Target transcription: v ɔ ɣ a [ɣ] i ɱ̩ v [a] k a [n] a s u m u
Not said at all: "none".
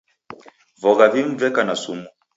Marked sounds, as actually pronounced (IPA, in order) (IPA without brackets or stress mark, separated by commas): v, ɛ, n